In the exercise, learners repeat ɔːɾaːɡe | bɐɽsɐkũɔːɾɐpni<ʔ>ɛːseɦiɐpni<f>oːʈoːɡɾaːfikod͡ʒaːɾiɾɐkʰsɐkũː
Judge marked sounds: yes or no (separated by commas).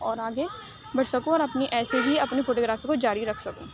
yes, yes